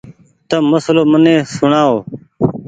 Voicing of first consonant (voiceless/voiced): voiceless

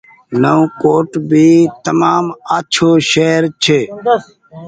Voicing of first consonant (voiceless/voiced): voiced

